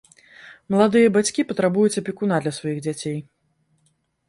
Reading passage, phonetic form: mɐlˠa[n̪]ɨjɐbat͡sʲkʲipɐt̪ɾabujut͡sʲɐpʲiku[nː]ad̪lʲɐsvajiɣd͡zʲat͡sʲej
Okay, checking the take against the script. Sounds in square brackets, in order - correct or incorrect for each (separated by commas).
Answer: incorrect, incorrect